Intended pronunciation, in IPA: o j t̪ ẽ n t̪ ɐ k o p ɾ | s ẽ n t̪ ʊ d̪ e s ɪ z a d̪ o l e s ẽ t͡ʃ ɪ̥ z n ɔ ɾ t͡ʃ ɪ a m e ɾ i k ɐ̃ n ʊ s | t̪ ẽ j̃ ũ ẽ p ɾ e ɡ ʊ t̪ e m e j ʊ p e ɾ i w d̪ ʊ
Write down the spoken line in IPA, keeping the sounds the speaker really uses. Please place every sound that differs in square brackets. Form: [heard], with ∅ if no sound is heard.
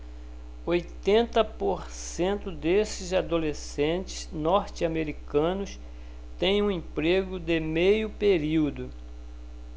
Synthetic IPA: o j t̪ ẽ n t̪ ɐ [p] o [∅] ɾ | s ẽ n t̪ ʊ d̪ e s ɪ z a d̪ o l e s ẽ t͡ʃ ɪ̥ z n ɔ ɾ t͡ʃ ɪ a m e ɾ i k ɐ̃ n ʊ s | t̪ ẽ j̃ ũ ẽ p ɾ e ɡ ʊ [d̪] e m e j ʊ p e ɾ i w d̪ ʊ